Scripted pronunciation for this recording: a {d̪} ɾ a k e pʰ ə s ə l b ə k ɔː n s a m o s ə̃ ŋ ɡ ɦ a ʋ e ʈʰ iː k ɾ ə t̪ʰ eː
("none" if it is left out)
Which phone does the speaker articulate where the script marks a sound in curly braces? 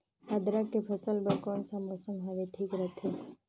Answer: d̪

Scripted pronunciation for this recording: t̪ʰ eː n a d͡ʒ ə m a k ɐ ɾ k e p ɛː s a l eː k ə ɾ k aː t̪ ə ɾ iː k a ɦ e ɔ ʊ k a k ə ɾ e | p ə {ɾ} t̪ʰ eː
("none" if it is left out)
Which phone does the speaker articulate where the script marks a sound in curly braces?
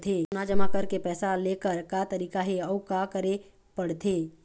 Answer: ɽ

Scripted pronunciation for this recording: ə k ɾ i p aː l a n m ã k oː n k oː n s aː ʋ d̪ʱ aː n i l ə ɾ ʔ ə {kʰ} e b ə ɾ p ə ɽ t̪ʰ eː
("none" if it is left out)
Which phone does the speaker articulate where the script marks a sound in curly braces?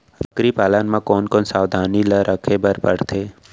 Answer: kʰ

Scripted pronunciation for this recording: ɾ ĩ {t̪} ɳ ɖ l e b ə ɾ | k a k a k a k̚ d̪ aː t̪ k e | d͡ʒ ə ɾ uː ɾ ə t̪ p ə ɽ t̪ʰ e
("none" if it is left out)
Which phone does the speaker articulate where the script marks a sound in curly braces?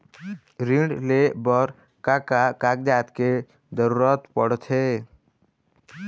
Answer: none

